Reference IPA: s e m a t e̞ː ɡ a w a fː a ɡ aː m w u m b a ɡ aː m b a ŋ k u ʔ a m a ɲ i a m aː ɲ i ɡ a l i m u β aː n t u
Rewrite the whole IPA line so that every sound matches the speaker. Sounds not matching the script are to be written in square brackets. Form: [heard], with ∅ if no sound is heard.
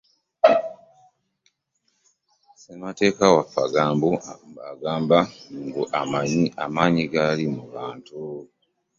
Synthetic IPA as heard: s e m a t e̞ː [k] a w a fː a ɡ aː m [b] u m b a ɡ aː m b a ŋ [ɡ] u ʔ a m a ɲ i a m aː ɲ i ɡ a l i m u β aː n t u

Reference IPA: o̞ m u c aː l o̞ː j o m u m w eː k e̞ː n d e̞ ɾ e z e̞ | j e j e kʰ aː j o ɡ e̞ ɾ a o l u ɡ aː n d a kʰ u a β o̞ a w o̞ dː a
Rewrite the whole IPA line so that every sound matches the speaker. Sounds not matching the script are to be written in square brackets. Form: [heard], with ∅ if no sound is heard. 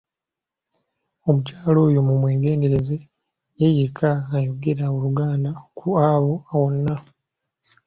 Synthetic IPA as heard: o̞ m u c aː l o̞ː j o m u m w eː [ɡ] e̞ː n d e̞ ɾ e z e̞ | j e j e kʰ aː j o ɡ e̞ ɾ a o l u ɡ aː n d a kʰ u a β o̞ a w o̞ [nː] a

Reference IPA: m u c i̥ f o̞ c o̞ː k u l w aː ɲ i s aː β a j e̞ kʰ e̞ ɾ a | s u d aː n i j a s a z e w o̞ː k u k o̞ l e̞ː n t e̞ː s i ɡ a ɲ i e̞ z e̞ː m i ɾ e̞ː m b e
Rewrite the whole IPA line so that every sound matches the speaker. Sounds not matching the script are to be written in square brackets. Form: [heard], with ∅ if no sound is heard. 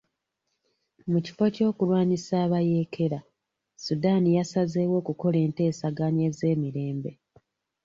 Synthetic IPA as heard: m u c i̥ f o̞ c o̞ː k u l w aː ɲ i s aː β a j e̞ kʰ e̞ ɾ a | s u d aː n i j a s a z e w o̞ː k u k o̞ l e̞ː n t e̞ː s [a] ɡ a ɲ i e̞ z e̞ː m i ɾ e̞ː m b e

